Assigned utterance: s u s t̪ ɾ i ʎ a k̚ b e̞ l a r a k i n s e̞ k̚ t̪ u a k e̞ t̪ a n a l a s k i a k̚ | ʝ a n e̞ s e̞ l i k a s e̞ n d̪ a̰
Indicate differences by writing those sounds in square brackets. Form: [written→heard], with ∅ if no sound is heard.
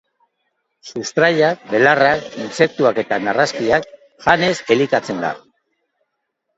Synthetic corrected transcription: s u s t̪ ɾ [i→a] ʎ a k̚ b e̞ l a r a k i n s e̞ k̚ t̪ u a k e̞ t̪ a n a [l→r] a s k i a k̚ | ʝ a n e̞ s e̞ l i k a [s→t͡s] e̞ n d̪ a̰

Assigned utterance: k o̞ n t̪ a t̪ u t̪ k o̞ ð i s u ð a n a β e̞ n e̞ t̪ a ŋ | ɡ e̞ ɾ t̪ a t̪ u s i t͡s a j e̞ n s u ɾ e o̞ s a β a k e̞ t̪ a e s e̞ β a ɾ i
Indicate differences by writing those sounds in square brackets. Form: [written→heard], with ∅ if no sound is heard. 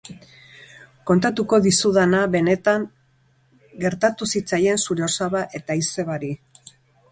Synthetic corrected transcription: k o̞ n t̪ a t̪ u [t̪→∅] k o̞ ð i s u ð a n a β e̞ n e̞ t̪ a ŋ | ɡ e̞ ɾ t̪ a t̪ u s i t͡s a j e̞ n s u ɾ e o̞ s a β a [k→ʔ] e̞ t̪ a [e→i] s e̞ β a ɾ i

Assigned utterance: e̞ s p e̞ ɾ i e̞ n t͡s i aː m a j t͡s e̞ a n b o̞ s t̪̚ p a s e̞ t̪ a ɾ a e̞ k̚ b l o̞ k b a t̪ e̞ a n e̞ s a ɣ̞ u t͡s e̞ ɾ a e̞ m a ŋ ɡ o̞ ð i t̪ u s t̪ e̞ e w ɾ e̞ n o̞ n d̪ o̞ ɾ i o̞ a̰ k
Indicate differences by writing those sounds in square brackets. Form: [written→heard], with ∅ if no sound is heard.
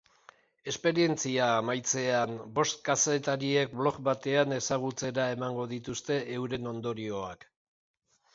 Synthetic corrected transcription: e̞ s p e̞ ɾ i e̞ n t͡s i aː m a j t͡s e̞ a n b o̞ s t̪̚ [p→k] a s e̞ t̪ a ɾ [a→i] e̞ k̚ b l o̞ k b a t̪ e̞ a n e̞ s a ɣ̞ u t͡s e̞ ɾ a e̞ m a ŋ ɡ o̞ ð i t̪ u s t̪ e̞ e w ɾ e̞ n o̞ n d̪ o̞ ɾ i o̞ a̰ k

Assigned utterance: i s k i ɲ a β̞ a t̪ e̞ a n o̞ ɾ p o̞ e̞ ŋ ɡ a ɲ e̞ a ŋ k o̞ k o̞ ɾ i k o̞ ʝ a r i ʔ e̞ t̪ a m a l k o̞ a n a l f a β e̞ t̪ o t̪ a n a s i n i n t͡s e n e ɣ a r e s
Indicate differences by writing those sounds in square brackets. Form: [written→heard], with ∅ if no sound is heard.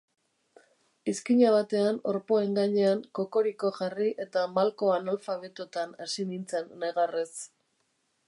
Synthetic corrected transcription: i s k i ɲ a β̞ a t̪ e̞ a n o̞ ɾ p o̞ e̞ ŋ ɡ a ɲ e̞ a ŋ k o̞ k o̞ ɾ i k o̞ ʝ a r i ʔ e̞ t̪ a m a l k o̞ a n a l f a β e̞ t̪ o t̪ a n a s i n i n t͡s e [n→nː] e ɣ a r e s

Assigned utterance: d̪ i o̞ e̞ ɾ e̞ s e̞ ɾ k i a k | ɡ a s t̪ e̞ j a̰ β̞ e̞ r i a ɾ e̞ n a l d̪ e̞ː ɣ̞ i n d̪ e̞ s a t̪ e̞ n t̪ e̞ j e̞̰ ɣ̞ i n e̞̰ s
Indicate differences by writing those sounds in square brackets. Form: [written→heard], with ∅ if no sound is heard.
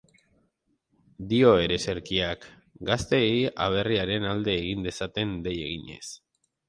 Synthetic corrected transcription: d̪ i o̞ e̞ ɾ e̞ s e̞ ɾ k i a k | ɡ a s t̪ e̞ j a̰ β̞ e̞ r i a ɾ e̞ n a l d̪ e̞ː ɣ̞ i n d̪ e̞ s a t̪ e̞ n [t̪→d̪] e̞ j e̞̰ ɣ̞ i [n→ɲ] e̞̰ s

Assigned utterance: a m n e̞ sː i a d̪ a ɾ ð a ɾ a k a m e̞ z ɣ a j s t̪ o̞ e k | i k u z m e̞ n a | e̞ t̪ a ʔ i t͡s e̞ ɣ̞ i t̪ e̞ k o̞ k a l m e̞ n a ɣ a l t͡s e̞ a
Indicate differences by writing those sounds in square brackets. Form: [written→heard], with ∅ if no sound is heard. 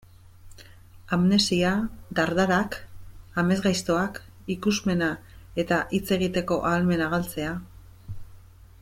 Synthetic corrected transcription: a m n e̞ [sː→s] i a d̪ a ɾ ð a ɾ a k a m e̞ z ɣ a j s t̪ o̞ [e→a] k | i k u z m e̞ n a | e̞ t̪ a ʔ i t͡s e̞ ɣ̞ i t̪ e̞ k o̞ [k→ʔ] a l m e̞ n a ɣ a l t͡s e̞ a

